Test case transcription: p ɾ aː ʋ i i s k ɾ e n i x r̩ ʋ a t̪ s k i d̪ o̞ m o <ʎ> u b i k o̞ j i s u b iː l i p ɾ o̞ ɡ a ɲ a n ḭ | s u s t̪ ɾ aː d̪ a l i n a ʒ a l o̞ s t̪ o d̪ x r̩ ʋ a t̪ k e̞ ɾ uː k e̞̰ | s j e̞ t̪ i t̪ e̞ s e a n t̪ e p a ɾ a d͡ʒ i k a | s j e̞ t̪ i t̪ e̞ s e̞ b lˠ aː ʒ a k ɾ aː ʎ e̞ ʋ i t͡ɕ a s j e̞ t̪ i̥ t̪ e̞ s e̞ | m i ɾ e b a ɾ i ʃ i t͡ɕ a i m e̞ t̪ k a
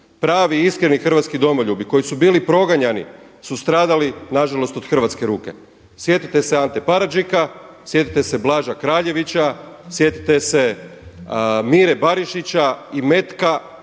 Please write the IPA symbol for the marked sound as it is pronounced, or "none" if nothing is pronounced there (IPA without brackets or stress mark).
ʎ